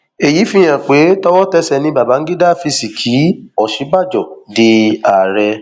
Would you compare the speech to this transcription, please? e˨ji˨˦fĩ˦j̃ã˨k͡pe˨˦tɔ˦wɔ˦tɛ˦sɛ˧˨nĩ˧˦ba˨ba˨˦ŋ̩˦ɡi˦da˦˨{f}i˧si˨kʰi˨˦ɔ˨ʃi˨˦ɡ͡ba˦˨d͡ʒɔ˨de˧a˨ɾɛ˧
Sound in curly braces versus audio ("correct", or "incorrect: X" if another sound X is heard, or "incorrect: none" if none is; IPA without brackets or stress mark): correct